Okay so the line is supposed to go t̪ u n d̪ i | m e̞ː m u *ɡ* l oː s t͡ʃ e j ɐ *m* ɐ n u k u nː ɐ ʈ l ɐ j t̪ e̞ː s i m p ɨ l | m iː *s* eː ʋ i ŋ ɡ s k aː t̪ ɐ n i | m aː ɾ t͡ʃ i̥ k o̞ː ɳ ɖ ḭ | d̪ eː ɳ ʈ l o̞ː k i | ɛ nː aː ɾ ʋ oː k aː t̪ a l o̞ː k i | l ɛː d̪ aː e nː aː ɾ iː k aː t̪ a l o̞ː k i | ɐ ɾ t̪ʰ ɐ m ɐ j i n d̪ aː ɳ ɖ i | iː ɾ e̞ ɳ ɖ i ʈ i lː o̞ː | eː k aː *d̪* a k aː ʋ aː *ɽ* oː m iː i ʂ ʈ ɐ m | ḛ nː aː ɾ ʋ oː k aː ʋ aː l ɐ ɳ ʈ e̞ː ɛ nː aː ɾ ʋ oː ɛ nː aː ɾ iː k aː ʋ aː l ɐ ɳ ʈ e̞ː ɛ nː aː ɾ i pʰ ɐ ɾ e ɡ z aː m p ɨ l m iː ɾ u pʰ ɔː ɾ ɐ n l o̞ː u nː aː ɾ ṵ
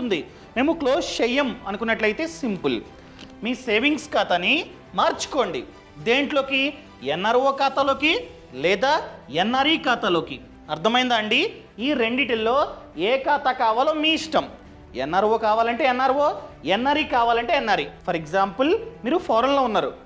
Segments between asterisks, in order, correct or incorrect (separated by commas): incorrect, correct, correct, incorrect, incorrect